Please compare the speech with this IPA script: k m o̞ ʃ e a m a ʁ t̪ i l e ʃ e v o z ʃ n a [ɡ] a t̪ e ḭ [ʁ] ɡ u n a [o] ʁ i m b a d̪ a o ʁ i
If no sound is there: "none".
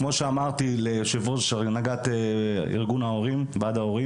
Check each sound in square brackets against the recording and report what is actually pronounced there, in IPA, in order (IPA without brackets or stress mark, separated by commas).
ɡ, ʁ, o